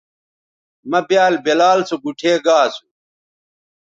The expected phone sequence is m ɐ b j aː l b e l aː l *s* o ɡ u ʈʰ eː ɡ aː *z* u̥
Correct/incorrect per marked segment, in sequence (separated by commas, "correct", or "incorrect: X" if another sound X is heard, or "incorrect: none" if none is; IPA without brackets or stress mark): correct, incorrect: s